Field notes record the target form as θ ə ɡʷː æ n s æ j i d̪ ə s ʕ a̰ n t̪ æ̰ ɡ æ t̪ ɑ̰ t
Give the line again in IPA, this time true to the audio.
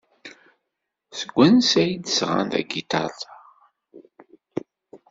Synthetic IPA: s ə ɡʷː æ n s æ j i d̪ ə s ʁ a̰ n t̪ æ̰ ɡ i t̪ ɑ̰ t